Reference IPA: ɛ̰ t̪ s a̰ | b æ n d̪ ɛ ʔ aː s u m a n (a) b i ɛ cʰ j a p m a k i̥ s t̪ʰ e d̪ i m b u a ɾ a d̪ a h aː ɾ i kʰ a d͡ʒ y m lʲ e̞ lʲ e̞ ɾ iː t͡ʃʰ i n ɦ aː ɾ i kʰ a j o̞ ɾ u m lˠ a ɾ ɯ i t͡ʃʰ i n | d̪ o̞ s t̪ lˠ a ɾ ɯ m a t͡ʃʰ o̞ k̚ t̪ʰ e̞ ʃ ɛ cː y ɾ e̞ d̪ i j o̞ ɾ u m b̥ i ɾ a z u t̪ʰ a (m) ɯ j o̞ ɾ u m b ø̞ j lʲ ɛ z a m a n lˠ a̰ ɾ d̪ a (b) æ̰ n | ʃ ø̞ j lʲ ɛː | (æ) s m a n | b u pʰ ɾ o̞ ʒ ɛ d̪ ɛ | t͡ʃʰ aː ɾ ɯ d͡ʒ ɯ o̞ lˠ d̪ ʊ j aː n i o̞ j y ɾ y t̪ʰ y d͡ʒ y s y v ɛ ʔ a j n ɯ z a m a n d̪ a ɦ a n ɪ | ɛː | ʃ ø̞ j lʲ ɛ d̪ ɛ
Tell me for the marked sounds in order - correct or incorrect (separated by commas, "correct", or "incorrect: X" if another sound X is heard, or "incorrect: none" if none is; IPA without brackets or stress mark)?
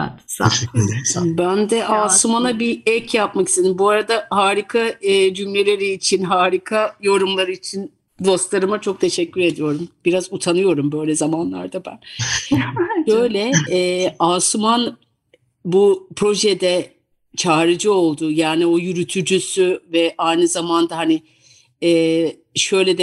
correct, incorrect: n, correct, incorrect: a